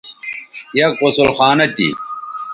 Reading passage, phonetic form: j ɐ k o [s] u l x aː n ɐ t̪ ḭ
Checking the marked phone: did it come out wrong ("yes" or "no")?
no